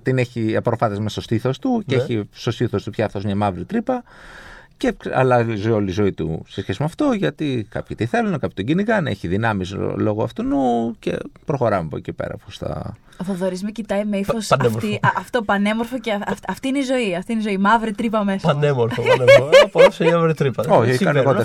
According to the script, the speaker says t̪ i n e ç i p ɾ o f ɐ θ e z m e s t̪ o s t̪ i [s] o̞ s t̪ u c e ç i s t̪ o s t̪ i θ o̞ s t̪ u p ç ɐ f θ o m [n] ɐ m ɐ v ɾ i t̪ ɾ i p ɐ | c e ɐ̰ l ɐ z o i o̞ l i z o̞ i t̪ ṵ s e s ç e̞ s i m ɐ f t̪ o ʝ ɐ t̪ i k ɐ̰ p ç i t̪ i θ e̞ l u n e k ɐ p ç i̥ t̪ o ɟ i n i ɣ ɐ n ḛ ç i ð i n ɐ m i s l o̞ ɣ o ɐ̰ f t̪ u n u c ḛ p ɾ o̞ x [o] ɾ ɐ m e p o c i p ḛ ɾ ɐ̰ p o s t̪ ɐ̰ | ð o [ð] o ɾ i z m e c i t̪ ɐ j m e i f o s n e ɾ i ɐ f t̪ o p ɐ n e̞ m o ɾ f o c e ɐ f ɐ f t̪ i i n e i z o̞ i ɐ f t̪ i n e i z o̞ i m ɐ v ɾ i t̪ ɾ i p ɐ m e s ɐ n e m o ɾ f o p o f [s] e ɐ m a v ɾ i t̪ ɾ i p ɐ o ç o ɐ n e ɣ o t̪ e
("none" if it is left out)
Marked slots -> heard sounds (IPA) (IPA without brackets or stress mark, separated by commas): θ, ɲ, o, ð, s